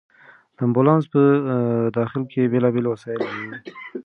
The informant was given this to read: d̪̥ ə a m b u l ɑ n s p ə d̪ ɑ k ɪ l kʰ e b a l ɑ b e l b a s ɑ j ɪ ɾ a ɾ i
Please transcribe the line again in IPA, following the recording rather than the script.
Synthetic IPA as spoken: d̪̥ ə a m b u l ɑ n s p ə d̪ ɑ x ɪ l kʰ e b e l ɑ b e l w a s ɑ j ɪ l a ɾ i